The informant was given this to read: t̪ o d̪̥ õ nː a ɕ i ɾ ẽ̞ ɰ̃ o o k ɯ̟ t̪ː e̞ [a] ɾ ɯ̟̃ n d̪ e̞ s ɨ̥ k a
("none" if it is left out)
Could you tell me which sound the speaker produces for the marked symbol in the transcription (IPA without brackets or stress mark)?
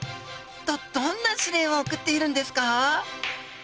i